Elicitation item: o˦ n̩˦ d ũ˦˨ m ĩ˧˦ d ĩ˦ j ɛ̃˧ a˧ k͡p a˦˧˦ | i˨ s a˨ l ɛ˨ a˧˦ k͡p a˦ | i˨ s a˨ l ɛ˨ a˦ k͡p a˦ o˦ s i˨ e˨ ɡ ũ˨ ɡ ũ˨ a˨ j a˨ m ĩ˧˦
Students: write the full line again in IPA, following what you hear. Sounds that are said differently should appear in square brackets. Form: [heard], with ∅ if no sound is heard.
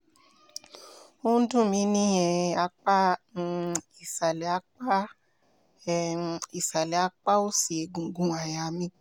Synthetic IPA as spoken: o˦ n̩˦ d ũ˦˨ m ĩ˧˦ [n] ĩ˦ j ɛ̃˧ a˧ k͡p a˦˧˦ | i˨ s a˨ l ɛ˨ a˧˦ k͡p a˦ | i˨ s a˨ l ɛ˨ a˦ k͡p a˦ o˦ s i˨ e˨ ɡ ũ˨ ɡ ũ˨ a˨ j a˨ m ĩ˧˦